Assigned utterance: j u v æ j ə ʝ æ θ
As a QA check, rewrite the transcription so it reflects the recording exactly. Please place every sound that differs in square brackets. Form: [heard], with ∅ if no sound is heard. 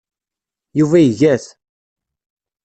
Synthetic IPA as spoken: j u v æ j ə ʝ æ θ